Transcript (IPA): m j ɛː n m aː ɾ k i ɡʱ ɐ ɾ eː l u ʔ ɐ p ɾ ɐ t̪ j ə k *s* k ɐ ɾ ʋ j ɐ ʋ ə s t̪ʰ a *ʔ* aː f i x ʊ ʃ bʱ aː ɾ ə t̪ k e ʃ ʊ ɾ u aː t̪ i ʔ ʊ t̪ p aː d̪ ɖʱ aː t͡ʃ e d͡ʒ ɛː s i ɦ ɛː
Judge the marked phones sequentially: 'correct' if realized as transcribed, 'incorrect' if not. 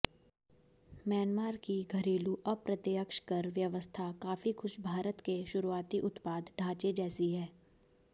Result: incorrect, incorrect

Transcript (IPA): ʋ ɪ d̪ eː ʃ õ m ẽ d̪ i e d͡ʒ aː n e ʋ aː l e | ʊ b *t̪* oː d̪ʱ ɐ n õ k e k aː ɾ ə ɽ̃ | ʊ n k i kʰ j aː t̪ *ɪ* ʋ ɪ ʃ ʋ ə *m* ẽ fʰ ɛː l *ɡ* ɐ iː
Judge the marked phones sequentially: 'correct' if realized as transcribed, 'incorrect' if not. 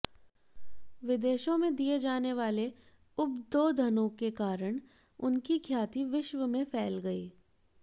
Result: incorrect, incorrect, correct, correct

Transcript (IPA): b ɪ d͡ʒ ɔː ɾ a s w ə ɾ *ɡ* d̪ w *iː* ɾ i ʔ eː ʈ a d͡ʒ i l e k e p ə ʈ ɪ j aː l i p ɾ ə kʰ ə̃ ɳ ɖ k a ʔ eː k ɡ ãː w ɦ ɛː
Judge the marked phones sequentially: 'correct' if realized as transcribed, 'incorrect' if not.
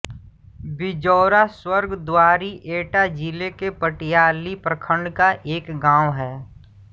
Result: correct, incorrect

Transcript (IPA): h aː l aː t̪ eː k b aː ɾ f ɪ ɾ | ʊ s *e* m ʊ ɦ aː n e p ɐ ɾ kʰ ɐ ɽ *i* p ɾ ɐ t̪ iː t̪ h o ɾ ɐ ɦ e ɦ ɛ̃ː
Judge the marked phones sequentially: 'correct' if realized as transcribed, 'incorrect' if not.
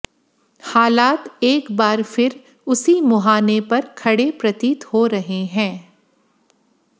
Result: incorrect, incorrect

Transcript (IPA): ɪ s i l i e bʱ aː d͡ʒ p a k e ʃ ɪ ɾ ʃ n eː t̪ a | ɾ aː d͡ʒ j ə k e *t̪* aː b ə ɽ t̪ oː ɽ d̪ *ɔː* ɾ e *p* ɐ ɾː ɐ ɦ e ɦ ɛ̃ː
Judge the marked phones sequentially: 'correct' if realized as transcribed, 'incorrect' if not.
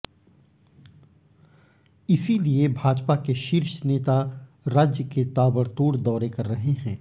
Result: correct, correct, incorrect

